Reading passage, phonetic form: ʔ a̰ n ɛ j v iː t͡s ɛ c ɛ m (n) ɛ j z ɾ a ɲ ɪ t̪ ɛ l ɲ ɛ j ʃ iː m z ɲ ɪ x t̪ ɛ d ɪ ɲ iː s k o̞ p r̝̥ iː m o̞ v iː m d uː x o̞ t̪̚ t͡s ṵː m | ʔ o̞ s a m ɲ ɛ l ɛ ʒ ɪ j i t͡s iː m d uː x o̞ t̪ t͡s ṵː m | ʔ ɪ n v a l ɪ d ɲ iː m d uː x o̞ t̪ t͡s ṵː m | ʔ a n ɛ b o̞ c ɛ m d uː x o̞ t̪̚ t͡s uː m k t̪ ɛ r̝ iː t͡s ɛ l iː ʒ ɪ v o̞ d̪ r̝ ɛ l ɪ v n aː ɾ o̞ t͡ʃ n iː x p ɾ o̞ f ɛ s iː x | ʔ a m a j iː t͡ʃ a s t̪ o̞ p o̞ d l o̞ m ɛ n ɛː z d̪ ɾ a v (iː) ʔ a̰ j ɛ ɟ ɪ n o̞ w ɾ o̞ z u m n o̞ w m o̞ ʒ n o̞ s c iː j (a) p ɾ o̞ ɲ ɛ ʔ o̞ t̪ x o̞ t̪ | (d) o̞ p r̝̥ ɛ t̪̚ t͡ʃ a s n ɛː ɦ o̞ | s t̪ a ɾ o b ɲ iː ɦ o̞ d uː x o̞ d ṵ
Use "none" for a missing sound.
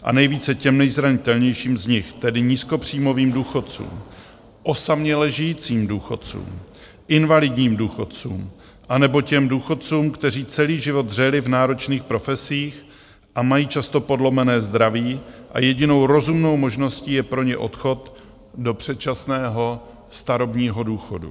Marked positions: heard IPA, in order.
n, iː, ɛ, d

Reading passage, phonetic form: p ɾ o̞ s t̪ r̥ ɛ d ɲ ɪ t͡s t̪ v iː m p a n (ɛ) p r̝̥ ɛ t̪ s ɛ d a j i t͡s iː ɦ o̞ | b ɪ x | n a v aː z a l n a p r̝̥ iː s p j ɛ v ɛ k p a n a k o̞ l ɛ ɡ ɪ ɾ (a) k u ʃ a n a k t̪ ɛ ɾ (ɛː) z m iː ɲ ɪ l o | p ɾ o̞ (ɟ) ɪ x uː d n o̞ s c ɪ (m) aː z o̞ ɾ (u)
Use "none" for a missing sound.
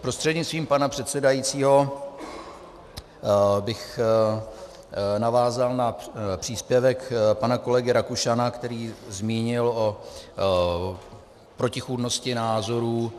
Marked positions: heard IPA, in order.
a, a, iː, c, n, uː

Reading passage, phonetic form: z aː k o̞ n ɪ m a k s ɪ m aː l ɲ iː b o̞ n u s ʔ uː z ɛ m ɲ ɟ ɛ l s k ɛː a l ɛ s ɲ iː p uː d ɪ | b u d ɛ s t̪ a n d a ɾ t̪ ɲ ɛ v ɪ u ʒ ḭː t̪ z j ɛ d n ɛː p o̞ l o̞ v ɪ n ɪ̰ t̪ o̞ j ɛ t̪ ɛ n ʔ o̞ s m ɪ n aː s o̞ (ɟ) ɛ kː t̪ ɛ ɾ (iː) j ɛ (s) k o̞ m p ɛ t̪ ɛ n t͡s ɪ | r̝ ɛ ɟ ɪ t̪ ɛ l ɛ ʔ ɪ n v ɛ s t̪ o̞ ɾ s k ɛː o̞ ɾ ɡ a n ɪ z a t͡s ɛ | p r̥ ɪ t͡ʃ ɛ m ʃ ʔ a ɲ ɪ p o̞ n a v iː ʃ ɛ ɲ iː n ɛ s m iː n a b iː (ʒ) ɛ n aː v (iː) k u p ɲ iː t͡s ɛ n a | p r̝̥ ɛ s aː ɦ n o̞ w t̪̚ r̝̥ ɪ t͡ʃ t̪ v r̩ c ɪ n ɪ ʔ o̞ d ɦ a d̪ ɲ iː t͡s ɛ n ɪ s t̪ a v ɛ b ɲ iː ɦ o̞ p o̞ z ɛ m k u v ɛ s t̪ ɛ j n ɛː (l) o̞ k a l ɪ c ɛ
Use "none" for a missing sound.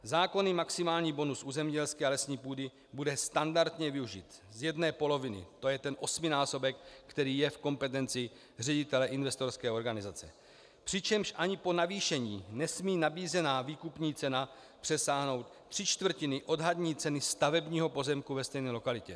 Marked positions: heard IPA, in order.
b, iː, f, z, iː, l

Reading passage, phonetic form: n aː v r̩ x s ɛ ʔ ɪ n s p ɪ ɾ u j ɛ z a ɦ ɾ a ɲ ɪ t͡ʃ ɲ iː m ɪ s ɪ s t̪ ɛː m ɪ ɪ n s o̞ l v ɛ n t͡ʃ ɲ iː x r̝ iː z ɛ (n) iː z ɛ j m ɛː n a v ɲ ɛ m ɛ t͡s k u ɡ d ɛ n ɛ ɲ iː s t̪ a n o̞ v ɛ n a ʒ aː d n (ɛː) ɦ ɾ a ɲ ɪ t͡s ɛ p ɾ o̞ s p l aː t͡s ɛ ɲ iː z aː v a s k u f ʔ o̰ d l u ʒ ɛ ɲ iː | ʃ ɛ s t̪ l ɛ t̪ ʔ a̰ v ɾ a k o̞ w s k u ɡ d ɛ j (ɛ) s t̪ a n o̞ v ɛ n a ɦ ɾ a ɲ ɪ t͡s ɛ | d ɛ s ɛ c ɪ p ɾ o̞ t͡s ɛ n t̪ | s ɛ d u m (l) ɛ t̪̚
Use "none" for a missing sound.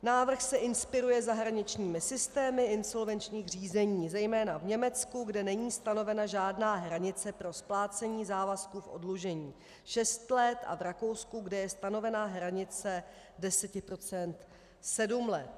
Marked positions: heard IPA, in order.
ɲ, aː, ɛ, l

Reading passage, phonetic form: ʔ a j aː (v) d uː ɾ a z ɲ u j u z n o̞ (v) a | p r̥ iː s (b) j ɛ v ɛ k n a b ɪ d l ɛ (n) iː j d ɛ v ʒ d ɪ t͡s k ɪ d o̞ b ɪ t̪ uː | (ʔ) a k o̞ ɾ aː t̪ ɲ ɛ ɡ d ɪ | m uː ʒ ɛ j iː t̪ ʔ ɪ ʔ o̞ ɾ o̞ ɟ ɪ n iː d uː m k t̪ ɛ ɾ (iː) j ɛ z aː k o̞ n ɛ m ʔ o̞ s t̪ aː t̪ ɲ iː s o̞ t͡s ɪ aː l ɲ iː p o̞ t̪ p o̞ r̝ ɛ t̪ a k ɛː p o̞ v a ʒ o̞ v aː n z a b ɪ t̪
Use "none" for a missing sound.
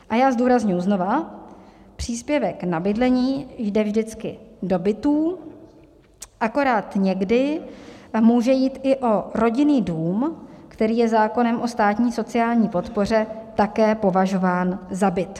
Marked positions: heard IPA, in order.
z, v, p, ɲ, ʔ, iː

